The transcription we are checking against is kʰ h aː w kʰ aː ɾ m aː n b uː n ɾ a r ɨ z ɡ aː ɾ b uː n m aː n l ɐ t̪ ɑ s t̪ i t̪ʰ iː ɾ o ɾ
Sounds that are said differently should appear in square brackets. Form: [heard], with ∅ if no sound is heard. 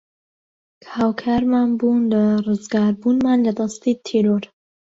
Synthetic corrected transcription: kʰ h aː w kʰ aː ɾ m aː n b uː n [l] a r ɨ z ɡ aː ɾ b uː n m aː n l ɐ [d̪] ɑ s t̪ i t̪ʰ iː ɾ o ɾ